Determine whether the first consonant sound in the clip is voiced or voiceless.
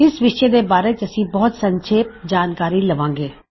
voiceless